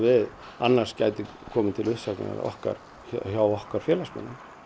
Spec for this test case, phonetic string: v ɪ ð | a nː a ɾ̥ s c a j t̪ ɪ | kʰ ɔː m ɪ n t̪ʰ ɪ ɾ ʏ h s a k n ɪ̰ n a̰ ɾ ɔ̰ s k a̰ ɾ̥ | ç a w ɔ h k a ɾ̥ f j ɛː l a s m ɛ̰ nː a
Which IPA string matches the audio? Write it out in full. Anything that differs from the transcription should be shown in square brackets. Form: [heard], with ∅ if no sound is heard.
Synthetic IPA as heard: v ɪ ð | a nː a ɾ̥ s c a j t̪ ɪ | kʰ ɔː m ɪ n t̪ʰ ɪ [l] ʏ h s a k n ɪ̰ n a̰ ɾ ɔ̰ [h] k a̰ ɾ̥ | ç a w ɔ h k a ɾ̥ f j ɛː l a s m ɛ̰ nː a